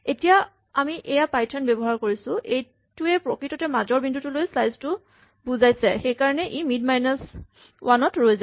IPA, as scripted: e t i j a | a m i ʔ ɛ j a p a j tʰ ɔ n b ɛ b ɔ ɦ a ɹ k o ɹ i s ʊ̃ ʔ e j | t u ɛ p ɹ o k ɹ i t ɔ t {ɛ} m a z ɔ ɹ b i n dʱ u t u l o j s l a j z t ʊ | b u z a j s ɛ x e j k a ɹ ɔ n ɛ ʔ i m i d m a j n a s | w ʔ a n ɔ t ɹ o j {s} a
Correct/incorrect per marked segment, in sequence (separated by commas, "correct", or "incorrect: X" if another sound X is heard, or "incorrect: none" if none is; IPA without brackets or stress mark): correct, incorrect: z